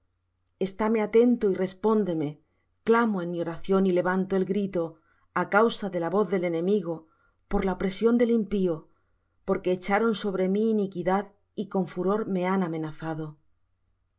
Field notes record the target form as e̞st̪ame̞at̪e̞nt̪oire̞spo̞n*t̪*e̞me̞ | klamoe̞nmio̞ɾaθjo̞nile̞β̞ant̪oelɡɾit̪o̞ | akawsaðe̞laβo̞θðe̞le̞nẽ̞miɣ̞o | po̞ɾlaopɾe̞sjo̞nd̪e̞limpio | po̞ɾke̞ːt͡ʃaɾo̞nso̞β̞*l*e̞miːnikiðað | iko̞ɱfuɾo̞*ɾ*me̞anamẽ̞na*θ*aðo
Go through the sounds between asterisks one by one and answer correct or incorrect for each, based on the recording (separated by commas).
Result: incorrect, incorrect, correct, correct